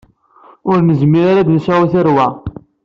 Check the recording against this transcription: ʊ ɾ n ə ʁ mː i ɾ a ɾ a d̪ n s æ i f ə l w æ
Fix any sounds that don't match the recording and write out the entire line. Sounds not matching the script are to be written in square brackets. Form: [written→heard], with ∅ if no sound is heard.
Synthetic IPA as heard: ʊ ɾ n ə [ʁ→z] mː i ɾ a ɾ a d̪ n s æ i [f→θ] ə [l→ɾ] w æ